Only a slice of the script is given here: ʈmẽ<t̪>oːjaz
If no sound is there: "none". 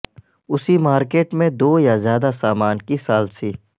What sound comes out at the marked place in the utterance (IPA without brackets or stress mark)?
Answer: d̪